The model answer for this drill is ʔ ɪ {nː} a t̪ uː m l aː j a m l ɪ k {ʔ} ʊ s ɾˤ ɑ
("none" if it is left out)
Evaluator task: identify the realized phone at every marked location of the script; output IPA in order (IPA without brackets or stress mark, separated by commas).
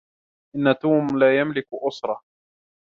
nː, ʔ